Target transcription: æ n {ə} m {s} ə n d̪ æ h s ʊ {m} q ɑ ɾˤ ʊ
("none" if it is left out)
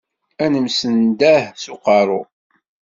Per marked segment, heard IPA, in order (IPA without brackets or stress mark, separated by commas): ə, s, none